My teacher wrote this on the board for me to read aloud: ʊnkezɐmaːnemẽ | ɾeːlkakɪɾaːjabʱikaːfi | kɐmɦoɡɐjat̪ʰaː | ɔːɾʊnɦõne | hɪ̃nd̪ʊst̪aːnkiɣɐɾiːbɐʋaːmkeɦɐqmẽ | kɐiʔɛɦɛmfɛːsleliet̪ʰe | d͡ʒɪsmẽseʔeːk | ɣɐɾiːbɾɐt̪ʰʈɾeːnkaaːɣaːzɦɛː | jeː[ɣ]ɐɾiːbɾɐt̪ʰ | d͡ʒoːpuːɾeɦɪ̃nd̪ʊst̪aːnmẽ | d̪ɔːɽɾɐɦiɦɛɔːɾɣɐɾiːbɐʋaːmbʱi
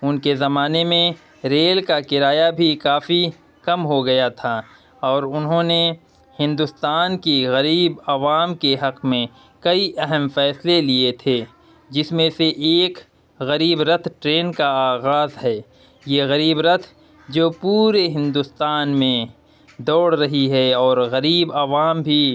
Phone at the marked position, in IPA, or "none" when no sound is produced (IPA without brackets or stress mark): ɣ